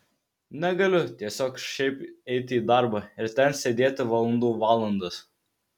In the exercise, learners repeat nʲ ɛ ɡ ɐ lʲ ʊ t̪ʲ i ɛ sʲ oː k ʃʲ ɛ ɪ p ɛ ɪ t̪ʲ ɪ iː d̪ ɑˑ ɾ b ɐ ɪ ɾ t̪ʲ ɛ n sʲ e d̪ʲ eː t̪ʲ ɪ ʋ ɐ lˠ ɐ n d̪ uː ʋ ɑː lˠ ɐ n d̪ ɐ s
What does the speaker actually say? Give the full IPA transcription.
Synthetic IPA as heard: nʲ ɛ ɡ ɐ lʲ ʊ t̪ʲ i ɛ sʲ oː k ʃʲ ɛ ɪ p ɛ ɪ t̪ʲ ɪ iː d̪ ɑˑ ɾ b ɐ ɪ ɾ t̪ʲ ɛ n sʲ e d̪ʲ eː t̪ʲ ɪ ʋ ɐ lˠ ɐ n d̪ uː ʋ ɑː lˠ ɐ n d̪ ɐ s